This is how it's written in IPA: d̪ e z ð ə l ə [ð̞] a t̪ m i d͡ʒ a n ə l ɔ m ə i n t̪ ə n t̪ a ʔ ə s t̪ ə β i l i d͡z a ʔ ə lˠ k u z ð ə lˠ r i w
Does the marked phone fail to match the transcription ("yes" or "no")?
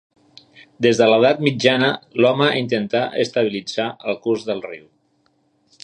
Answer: no